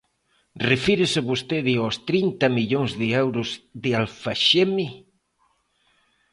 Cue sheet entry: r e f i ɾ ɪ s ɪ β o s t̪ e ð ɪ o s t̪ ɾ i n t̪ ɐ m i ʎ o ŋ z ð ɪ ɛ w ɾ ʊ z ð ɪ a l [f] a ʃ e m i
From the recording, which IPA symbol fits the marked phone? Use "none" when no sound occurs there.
f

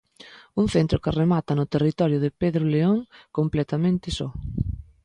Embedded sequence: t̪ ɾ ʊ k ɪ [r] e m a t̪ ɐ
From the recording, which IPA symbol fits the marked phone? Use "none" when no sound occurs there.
r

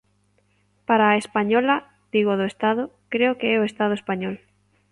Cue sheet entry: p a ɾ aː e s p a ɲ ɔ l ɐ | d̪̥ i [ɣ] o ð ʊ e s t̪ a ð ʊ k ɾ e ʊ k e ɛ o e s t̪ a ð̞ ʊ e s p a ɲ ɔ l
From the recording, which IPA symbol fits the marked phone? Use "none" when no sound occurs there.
ɣ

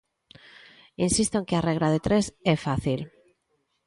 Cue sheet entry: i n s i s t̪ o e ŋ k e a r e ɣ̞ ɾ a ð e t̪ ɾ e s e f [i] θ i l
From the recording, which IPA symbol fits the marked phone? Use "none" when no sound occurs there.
a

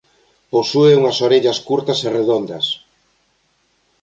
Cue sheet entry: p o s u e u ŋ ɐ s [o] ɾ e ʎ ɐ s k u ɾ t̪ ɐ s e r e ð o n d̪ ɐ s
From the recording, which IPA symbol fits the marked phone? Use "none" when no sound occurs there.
o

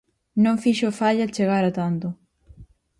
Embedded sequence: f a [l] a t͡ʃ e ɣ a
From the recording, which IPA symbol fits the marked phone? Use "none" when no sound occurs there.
ʎ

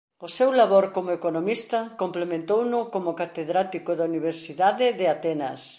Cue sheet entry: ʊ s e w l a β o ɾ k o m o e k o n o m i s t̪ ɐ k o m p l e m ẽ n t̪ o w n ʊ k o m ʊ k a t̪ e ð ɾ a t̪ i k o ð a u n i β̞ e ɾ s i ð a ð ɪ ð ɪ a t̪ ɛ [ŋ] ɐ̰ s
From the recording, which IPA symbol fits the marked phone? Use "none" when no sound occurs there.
n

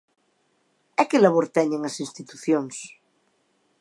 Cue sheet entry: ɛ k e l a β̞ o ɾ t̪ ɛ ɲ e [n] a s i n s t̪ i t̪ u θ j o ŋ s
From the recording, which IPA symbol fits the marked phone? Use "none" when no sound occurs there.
ŋ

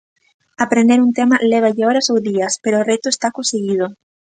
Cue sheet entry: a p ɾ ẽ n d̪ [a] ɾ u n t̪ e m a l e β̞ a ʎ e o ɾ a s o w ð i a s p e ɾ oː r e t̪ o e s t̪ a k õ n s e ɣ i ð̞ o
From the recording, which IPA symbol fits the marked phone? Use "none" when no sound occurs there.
e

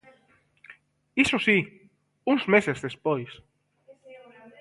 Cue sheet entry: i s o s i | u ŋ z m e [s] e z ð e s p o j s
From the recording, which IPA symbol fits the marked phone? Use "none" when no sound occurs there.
s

